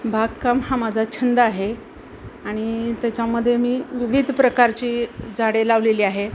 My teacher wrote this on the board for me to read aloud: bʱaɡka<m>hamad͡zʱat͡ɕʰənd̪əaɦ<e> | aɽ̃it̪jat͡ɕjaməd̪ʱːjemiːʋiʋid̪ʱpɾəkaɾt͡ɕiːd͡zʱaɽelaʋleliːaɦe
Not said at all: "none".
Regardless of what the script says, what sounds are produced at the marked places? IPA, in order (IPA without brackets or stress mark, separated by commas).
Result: m, e